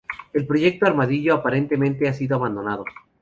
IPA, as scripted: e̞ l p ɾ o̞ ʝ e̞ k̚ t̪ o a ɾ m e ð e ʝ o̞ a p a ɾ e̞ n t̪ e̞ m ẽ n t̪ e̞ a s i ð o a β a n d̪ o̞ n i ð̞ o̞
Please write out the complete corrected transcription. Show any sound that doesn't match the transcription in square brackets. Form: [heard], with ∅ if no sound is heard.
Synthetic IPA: e̞ l p ɾ o̞ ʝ e̞ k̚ t̪ o a ɾ m [a] ð [i] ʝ o̞ a p a ɾ e̞ n t̪ e̞ m ẽ n t̪ e̞ a s i ð o a β a n d̪ o̞ n [a] ð̞ o̞